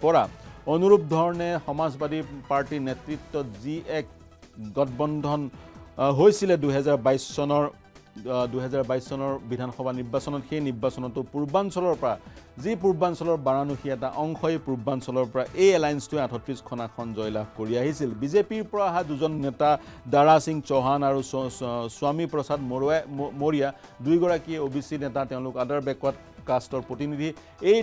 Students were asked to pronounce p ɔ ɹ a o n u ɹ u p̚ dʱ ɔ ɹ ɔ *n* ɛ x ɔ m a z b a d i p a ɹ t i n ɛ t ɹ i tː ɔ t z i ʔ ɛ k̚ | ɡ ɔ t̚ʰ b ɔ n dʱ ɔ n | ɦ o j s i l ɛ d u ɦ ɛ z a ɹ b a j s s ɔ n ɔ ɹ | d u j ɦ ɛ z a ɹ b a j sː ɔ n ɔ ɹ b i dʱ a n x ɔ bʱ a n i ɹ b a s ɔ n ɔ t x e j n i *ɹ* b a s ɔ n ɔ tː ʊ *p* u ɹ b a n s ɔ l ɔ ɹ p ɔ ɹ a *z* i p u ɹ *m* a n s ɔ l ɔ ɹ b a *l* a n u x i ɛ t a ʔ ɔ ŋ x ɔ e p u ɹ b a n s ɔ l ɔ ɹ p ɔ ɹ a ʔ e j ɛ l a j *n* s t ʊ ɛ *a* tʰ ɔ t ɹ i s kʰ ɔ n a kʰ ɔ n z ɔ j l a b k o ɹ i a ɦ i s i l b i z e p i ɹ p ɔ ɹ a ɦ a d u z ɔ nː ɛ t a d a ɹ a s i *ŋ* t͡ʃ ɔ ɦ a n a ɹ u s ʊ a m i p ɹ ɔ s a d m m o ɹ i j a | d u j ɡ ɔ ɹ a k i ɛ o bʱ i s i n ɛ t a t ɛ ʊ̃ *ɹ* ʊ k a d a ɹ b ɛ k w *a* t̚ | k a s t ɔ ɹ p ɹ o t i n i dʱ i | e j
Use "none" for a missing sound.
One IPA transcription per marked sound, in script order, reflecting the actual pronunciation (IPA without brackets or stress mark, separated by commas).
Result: n, ɹ, p, z, b, ɹ, n, a, ŋ, l, a